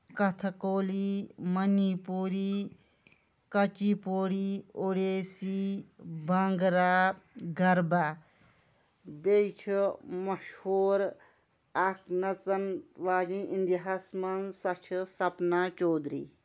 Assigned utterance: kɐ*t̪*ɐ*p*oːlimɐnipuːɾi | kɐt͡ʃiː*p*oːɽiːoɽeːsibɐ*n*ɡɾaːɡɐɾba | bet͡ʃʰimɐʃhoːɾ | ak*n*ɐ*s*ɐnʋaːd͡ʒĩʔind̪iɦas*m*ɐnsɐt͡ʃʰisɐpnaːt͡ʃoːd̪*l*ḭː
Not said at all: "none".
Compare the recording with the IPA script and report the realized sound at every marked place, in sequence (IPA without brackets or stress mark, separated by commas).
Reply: t̪ʰ, k, p, ŋ, n, t͡s, m, ɾ